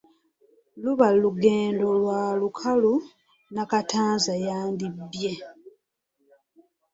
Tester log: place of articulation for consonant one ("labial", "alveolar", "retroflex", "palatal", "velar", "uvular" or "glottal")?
alveolar